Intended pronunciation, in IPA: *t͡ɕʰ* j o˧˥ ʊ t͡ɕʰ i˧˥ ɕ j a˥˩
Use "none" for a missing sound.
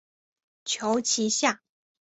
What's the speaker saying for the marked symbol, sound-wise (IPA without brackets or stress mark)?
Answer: t͡ɕʰ